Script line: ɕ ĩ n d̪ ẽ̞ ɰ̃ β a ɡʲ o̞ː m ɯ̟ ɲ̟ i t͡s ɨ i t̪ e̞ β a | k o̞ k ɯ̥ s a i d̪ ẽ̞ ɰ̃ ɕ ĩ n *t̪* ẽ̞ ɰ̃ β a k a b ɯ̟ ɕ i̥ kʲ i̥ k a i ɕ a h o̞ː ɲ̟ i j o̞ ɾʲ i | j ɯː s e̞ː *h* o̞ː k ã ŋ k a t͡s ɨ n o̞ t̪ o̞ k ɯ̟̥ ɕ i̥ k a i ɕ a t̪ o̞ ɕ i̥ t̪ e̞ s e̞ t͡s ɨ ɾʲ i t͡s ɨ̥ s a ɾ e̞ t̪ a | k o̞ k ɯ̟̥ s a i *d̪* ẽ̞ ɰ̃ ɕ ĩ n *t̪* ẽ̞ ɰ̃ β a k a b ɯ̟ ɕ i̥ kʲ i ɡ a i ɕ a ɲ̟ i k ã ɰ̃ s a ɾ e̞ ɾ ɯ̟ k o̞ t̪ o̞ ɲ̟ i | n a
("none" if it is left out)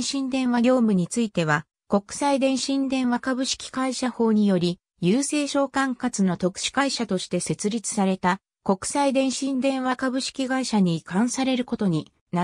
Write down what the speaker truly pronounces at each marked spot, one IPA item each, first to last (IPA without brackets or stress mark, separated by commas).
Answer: d̪, ɕ, d̪, d̪